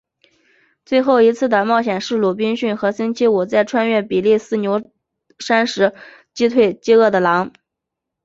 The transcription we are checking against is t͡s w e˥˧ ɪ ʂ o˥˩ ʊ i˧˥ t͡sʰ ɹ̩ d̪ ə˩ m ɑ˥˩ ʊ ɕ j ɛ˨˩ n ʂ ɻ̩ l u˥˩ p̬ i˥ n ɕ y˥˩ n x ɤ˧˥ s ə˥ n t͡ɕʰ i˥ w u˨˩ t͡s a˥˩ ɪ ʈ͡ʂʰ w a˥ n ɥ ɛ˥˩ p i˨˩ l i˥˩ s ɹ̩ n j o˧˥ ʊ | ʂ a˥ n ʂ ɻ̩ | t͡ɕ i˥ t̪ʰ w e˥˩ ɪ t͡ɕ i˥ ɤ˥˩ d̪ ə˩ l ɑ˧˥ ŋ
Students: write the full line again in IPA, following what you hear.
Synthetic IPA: t͡s w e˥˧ ɪ x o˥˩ ʊ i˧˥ t͡sʰ ɹ̩ d̪ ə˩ m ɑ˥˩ ʊ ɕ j ɛ˨˩ n ʂ ɻ̩ l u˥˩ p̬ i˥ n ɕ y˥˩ n x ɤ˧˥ s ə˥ n t͡ɕʰ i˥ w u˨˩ t͡s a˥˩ ɪ ʈ͡ʂʰ w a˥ n ɥ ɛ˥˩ p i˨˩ l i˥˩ s ɹ̩ n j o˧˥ ʊ | ʂ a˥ n ʂ ɻ̩ | t͡ɕ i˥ t̪ʰ w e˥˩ ɪ t͡ɕ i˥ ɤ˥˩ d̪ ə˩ l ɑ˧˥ ŋ